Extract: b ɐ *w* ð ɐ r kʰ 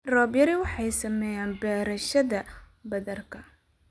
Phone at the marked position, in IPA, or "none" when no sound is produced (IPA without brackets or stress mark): none